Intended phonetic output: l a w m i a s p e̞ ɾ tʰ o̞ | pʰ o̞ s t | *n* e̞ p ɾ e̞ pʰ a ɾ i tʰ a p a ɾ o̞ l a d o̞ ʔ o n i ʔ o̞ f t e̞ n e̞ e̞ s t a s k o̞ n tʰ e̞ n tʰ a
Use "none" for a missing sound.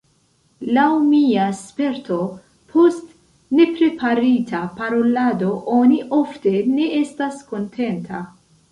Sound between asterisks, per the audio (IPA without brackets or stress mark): n